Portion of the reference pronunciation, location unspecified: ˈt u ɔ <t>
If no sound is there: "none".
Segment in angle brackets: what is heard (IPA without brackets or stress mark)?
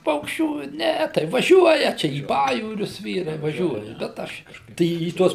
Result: s